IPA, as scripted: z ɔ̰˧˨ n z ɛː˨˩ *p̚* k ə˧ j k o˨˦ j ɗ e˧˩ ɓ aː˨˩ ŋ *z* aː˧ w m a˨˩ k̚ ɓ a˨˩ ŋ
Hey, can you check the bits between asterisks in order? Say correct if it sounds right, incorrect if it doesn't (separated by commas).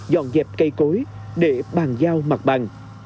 correct, correct